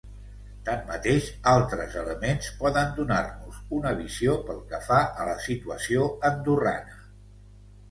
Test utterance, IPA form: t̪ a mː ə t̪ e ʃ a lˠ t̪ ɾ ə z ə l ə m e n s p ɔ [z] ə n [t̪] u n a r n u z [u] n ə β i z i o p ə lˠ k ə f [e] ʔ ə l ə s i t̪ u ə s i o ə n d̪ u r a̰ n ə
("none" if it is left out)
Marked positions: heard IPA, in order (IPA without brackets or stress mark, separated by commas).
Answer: ð, d̪, u, a